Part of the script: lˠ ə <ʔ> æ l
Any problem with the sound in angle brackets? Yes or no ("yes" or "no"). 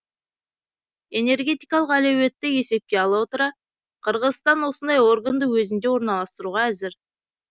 yes